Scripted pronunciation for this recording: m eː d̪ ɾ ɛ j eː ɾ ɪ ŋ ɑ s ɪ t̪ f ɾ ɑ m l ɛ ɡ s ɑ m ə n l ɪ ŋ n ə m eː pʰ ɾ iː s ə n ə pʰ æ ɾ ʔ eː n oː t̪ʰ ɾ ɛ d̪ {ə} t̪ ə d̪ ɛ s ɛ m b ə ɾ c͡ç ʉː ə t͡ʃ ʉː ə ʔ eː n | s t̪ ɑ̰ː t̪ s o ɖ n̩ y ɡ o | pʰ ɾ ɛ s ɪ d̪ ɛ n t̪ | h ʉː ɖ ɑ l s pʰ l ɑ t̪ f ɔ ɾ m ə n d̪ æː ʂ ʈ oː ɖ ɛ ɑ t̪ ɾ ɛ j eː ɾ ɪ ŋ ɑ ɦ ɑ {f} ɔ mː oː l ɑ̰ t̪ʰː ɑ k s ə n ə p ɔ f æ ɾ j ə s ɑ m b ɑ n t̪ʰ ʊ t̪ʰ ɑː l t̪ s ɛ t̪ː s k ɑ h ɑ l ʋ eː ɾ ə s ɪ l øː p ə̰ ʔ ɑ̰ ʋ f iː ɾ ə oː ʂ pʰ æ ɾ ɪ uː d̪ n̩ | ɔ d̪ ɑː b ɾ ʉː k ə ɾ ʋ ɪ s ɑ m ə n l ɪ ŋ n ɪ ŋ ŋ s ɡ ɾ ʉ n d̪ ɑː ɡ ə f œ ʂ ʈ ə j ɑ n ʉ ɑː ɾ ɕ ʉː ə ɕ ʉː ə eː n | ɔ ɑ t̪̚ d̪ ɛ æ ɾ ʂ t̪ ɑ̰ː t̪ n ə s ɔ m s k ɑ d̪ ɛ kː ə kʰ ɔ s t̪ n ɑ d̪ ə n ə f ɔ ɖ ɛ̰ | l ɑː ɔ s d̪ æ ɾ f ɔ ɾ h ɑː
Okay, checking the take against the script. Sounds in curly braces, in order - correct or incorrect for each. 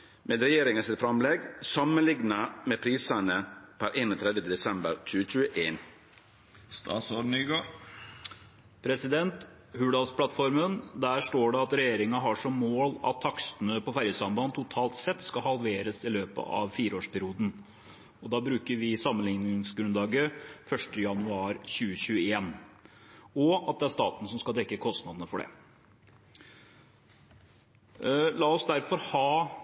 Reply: correct, incorrect

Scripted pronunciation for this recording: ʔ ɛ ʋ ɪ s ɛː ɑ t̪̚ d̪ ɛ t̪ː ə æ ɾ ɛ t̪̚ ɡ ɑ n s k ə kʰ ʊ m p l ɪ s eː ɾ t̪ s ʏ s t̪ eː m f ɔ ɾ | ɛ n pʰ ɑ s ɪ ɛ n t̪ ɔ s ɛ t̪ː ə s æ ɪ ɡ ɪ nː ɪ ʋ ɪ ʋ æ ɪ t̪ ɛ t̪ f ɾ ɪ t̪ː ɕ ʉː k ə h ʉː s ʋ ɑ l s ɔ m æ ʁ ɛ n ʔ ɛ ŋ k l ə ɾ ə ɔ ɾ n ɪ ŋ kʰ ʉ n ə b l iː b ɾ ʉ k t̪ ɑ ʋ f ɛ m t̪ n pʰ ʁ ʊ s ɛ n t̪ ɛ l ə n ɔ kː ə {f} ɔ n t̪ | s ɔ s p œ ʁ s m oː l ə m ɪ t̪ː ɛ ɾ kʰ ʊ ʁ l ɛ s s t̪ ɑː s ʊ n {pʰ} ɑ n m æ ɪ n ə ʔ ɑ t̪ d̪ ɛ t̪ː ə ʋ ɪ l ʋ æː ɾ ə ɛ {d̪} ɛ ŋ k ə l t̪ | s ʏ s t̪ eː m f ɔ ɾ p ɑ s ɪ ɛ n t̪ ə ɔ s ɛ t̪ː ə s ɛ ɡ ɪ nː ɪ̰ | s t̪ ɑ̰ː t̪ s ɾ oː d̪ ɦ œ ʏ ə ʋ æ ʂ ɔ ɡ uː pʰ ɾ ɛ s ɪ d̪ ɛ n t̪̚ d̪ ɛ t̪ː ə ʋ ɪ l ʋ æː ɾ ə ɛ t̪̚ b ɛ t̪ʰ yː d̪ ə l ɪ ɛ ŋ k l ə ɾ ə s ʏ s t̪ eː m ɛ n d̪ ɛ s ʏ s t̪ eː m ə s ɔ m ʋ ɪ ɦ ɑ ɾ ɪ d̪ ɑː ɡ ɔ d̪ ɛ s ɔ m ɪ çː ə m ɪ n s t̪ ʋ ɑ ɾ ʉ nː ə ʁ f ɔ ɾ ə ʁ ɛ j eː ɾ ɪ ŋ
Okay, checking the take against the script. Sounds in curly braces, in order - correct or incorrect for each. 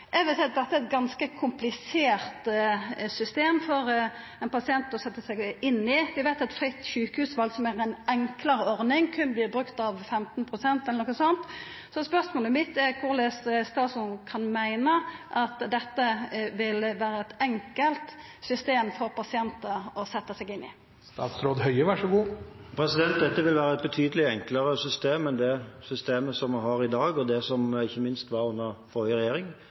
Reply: incorrect, incorrect, incorrect

